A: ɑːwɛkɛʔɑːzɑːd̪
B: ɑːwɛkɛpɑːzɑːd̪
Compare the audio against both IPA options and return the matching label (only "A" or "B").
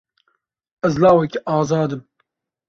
A